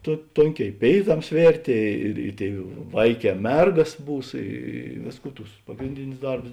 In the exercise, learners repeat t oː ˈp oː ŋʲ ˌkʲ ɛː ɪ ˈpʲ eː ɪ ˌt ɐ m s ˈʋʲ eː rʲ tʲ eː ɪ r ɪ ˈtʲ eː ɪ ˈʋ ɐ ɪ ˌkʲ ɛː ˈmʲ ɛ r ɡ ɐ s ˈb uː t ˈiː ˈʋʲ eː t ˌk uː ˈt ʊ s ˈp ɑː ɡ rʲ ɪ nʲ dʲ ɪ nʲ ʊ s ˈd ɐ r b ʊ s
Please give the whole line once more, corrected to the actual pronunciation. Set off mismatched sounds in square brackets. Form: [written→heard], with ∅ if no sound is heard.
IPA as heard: t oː [ˈp→ˈt] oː ŋʲ ˌkʲ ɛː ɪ ˈpʲ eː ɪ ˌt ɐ m s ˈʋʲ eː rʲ tʲ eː ɪ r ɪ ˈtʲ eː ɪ ˈʋ ɐ ɪ ˌkʲ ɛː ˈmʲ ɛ r ɡ ɐ s ˈb uː [t→s] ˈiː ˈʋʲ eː [t→s] ˌk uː ˈt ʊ s ˈp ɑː ɡ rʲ ɪ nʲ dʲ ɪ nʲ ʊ s ˈd ɐ r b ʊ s